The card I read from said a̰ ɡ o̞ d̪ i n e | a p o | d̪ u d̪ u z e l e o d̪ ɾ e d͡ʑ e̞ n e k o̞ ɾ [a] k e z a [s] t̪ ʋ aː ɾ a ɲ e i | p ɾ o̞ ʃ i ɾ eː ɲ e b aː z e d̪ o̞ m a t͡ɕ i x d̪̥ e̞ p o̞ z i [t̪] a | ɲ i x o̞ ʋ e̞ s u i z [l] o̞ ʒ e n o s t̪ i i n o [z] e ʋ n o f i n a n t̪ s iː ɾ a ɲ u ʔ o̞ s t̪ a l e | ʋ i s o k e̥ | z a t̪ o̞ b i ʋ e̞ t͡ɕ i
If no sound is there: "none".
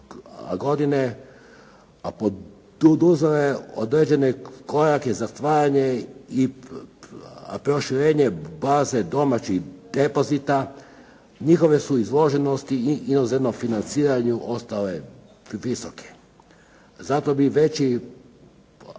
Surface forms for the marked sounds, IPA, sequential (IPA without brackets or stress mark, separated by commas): a, s, t̪, l, z